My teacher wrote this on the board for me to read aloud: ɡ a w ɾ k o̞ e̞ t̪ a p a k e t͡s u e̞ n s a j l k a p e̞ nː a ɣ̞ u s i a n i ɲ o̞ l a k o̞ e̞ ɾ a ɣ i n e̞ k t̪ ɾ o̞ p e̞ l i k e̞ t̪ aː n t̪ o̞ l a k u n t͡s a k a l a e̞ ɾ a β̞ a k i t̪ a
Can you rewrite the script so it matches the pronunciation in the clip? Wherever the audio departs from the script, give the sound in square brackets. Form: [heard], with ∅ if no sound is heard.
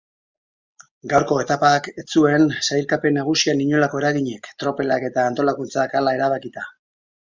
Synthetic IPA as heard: ɡ a w ɾ k o̞ e̞ t̪ a p a k e t͡s u e̞ n s a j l k a p e̞ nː a ɣ̞ u s i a n i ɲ o̞ l a k o̞ e̞ ɾ a ɣ i [ɲ] e̞ k t̪ ɾ o̞ p e̞ l [a] k e̞ t̪ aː n t̪ o̞ l a k u n t͡s a k a l a e̞ ɾ a β̞ a k i t̪ a